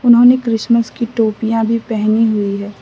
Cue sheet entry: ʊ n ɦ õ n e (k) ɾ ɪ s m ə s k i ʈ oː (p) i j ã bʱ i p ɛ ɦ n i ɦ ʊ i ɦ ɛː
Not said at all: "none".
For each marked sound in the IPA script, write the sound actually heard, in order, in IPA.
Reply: k, p

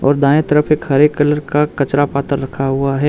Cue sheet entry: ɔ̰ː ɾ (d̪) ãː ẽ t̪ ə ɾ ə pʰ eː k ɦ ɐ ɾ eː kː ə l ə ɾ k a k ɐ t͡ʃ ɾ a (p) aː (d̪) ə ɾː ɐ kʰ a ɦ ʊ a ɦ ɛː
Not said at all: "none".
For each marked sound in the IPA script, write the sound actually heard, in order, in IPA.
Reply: d̪, p, t̪

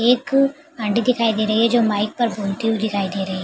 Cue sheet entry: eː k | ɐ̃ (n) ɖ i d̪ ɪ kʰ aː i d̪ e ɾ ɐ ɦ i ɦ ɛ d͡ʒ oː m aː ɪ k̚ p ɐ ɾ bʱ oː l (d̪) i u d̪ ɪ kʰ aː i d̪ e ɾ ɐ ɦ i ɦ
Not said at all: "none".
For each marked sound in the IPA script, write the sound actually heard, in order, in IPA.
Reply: ɳ, t̪

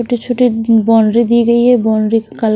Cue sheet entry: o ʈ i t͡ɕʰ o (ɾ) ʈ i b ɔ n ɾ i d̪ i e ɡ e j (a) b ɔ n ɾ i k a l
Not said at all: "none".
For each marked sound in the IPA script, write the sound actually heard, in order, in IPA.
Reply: none, e

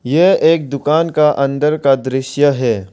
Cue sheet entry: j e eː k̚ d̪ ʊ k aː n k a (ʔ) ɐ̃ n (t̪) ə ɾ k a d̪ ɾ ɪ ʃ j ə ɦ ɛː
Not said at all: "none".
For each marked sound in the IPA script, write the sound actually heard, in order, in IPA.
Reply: ʔ, d̪

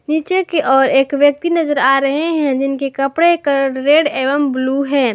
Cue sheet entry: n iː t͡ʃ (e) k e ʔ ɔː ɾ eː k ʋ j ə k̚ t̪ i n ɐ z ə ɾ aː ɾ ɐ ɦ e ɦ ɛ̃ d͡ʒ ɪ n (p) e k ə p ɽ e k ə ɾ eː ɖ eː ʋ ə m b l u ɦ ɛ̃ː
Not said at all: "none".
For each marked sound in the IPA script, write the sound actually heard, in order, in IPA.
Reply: e, k

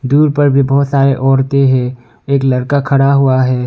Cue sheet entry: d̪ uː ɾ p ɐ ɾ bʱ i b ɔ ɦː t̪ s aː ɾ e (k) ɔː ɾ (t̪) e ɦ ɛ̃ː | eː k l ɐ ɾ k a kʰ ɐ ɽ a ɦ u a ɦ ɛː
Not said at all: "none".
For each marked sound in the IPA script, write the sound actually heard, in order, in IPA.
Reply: ʔ, t̪

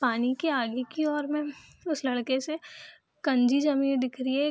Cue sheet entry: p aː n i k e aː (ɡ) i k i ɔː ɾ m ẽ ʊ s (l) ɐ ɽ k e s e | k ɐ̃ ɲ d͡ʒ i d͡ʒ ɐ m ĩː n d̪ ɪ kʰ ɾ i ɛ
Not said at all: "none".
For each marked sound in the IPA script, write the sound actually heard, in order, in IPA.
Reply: ɡ, l

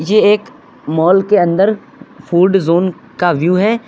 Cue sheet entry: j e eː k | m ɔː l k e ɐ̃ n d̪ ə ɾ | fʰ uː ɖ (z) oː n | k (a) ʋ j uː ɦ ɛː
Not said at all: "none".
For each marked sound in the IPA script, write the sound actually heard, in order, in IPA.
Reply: z, a

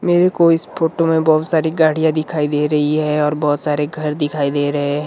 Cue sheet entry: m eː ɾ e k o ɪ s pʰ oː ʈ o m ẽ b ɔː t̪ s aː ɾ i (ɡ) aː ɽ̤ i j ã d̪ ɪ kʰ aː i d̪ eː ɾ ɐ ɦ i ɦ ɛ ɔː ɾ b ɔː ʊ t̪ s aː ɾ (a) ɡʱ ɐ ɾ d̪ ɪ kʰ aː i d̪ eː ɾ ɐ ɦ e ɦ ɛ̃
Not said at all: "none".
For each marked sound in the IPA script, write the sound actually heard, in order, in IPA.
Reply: ɡ, e

